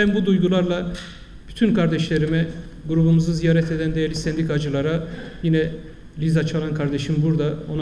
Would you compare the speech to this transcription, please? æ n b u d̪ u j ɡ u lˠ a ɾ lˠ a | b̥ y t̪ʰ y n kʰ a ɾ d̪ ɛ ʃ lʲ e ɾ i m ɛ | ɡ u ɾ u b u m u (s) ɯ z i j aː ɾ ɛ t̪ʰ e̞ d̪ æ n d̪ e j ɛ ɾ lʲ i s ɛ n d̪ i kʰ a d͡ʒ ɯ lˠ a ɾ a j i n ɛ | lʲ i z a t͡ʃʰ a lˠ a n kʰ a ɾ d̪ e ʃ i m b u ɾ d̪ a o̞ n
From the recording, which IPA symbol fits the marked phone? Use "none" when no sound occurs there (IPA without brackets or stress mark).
z